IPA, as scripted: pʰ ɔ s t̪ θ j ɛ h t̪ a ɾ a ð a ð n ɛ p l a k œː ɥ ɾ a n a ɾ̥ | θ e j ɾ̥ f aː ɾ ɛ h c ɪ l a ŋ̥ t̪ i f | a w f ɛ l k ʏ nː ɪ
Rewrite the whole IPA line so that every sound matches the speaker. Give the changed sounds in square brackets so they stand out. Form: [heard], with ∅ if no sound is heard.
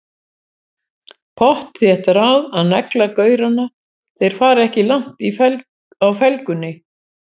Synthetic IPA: pʰ ɔ [h] t̪ θ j ɛ h t̪ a ɾ a ð a ð n ɛ [k] l a k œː ɥ ɾ a n a [∅] | θ e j ɾ̥ f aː ɾ ɛ h c ɪ l a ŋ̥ t̪ i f | a w f ɛ l k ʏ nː ɪ

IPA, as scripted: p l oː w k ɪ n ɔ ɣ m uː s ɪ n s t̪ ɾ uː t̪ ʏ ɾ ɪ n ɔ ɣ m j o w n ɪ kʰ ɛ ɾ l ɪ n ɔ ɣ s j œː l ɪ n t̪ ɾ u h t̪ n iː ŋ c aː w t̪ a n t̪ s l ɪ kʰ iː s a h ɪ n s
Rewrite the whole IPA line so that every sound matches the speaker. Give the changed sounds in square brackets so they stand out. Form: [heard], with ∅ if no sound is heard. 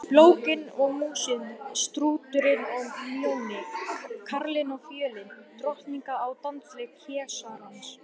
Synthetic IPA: p l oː w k ɪ n ɔ ɣ m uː s ɪ n s t̪ ɾ uː t̪ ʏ ɾ ɪ n ɔ ɣ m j o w n ɪ kʰ [a] ɾ l ɪ n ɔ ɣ [f] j œː l ɪ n t̪ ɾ [ɔ] h t̪ n [i] ŋ [k] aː w t̪ a n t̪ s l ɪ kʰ [ɛː] s a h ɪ n s

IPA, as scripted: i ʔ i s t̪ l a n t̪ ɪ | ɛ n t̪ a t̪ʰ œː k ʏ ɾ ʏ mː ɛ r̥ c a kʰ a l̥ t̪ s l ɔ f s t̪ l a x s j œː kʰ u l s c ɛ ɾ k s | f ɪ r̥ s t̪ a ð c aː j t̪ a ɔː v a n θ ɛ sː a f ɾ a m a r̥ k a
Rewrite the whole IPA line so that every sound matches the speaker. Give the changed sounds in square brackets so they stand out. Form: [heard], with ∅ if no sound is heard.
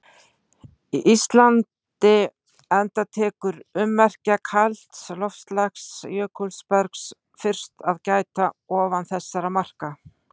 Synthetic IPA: i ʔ i s t̪ l a n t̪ ɪ | ɛ n t̪ a t̪ʰ [ɛː] k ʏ ɾ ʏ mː ɛ r̥ c a kʰ a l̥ t̪ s l ɔ f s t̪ l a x s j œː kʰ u l s [p] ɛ ɾ k s | f ɪ r̥ s t̪ a ð c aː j t̪ a ɔː v a n θ ɛ sː a [∅] ɾ a m a r̥ k a

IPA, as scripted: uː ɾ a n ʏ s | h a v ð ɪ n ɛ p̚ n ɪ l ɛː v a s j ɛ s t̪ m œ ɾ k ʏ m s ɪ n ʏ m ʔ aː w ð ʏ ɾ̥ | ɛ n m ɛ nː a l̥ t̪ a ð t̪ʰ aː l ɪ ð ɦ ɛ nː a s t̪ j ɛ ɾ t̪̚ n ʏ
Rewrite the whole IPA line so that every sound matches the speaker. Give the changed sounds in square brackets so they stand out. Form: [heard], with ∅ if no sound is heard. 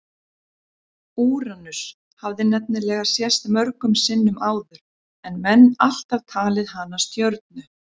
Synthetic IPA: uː ɾ a n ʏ s | h a v ð ɪ n ɛ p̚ n ɪ l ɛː [ɣ] a s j ɛ s t̪ m œ ɾ k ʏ m s ɪ [nː] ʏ m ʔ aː w ð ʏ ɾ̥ | ɛ n m ɛ nː a l̥ t̪ a [v] t̪ʰ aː l ɪ ð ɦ [a] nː a s t̪ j [œ] ɾ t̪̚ n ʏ

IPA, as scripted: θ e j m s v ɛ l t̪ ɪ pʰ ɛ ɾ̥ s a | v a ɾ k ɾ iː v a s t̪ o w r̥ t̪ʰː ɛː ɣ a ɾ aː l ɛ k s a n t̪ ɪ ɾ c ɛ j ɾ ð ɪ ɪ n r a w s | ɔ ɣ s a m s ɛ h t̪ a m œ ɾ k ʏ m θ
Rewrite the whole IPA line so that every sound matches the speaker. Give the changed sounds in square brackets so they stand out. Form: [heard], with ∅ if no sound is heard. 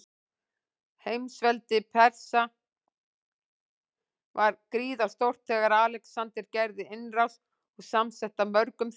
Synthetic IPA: [h] e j m s v ɛ l t̪ ɪ pʰ ɛ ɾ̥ s a | v a ɾ k ɾ iː [ð] a s t̪ o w r̥ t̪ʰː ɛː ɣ a ɾ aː l ɛ k s a n t̪ ɪ ɾ c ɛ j ɾ ð ɪ ɪ n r a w s | ɔ ɣ s a m s ɛ h t̪ a m œ ɾ k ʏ m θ

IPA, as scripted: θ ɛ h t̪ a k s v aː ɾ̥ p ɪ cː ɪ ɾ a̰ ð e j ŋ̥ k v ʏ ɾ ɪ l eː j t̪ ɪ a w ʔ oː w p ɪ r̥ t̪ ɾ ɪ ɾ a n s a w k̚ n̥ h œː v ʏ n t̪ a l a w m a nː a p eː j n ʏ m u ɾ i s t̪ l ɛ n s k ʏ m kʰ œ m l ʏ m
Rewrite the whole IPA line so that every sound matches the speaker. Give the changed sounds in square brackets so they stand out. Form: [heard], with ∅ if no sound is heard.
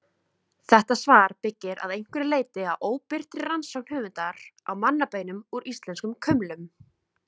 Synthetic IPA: θ ɛ h t̪ a [∅] s v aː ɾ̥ p ɪ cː ɪ ɾ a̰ ð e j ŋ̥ k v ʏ ɾ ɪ l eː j t̪ ɪ a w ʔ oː w p ɪ r̥ t̪ ɾ ɪ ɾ a n s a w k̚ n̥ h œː v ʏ n t̪ a [ɾ] a w m a nː a p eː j n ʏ m u ɾ i s t̪ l ɛ n s k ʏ m kʰ œ m l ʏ m

